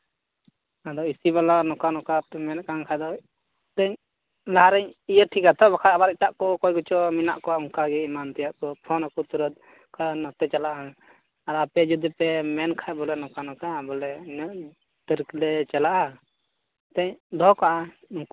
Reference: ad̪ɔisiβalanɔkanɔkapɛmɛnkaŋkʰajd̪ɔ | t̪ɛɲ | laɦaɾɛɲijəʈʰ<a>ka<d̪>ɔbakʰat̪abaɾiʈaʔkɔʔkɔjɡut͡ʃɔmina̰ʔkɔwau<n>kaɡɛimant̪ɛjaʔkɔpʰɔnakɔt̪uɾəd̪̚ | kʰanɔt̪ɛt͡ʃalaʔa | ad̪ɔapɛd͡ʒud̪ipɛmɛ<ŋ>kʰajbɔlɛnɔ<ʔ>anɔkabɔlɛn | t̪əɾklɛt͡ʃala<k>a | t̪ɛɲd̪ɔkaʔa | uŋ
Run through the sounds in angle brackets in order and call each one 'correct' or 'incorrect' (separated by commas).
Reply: incorrect, incorrect, incorrect, incorrect, incorrect, incorrect